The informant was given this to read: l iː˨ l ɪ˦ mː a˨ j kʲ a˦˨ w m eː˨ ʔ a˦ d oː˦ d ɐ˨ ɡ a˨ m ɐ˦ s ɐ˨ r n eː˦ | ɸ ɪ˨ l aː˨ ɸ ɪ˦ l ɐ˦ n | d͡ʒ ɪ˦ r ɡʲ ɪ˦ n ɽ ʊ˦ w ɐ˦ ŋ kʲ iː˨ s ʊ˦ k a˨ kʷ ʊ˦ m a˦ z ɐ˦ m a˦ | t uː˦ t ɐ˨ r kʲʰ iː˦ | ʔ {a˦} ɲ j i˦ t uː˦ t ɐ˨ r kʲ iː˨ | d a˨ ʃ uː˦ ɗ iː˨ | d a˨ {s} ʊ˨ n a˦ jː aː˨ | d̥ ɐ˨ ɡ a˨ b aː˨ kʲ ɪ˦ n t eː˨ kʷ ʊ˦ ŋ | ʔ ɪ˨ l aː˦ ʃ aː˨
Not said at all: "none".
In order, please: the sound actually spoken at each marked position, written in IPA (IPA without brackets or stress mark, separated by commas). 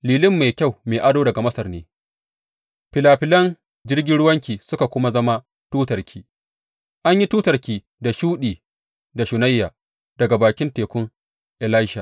a˦, ʃ